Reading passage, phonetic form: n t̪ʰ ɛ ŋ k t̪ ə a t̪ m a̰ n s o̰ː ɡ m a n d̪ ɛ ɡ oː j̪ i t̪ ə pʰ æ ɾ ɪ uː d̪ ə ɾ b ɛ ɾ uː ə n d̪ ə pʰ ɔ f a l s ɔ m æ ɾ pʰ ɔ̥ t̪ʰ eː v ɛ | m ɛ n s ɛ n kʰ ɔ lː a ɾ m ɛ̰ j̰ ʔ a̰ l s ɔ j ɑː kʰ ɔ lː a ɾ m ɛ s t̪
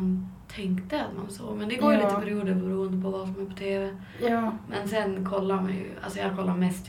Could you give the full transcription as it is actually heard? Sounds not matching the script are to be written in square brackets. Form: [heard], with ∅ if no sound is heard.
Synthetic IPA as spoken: n t̪ʰ ɛ ŋ k t̪ ə a t̪ m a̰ n s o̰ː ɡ m [ɛ] n d̪ ɛ ɡ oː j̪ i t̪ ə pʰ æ ɾ ɪ uː d̪ ə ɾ b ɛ ɾ uː ə n d̪ ə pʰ ɔ [v] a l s ɔ m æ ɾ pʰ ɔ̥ t̪ʰ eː v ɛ | m ɛ n s ɛ n kʰ ɔ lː a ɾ m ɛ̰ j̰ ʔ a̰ l s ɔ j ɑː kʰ ɔ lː a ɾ m ɛ s t̪